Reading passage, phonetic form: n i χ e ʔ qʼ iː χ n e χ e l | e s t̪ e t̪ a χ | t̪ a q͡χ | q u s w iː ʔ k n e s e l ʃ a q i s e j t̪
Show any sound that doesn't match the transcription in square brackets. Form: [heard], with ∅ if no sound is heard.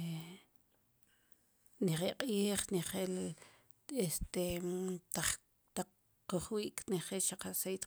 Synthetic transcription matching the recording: n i χ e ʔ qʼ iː χ n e χ e l | e s t̪ e t̪ a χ | t̪ a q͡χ | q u [χ] w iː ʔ k n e [χ] e l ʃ a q [a] s e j t̪